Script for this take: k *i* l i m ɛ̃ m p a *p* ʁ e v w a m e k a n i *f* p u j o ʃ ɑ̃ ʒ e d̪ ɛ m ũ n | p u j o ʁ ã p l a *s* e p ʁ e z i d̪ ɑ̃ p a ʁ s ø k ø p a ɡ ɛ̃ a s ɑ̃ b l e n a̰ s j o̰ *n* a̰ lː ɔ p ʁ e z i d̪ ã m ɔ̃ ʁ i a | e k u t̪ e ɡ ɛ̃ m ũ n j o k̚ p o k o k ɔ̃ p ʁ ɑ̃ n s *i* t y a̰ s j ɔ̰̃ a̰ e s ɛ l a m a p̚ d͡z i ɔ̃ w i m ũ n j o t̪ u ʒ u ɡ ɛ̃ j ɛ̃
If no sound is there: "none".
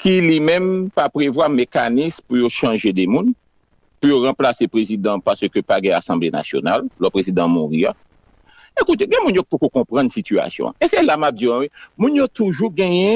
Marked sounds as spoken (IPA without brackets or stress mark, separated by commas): i, p, s, s, n, i